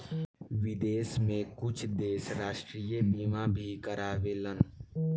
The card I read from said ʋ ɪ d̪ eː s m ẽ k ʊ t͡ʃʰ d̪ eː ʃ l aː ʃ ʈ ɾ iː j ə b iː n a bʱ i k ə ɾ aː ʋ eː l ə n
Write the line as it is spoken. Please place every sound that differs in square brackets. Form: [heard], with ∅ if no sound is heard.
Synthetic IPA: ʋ ɪ d̪ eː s m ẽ k ʊ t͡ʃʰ d̪ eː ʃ [ɾ] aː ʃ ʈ ɾ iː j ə b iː [m] a bʱ i k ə ɾ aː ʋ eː l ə n